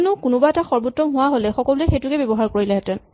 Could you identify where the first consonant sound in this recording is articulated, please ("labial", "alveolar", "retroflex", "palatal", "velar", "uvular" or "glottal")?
alveolar